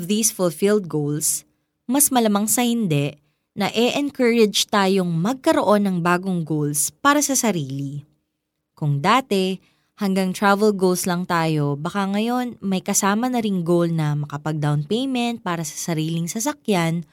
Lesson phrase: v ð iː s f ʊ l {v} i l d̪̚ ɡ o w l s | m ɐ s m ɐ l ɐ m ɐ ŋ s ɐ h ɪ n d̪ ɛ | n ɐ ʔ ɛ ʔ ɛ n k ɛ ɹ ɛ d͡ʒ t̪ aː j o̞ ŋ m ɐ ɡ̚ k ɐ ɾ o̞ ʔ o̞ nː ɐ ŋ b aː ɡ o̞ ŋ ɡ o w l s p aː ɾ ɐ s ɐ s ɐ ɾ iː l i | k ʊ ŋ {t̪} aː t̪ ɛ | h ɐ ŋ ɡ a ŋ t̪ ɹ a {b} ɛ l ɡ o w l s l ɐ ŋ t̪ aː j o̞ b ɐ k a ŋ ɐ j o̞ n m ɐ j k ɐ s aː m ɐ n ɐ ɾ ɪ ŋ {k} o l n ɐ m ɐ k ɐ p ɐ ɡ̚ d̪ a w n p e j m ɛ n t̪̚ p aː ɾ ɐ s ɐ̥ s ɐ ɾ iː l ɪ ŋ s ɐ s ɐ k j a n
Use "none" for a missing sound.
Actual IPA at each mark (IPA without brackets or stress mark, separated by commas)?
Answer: f, d̪, v, ɡ